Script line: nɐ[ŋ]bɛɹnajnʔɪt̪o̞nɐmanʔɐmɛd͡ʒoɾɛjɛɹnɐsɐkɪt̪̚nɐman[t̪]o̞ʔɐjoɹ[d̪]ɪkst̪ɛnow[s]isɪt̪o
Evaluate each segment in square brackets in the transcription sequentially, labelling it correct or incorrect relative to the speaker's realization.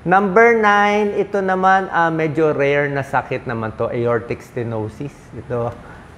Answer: incorrect: m, correct, incorrect: t̪, correct

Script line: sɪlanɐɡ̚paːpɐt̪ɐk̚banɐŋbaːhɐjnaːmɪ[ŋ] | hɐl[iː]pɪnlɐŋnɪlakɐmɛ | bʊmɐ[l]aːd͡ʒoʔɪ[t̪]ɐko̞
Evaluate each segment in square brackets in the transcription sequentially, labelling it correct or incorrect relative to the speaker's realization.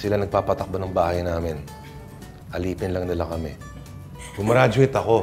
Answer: incorrect: n, correct, incorrect: ɾ, correct

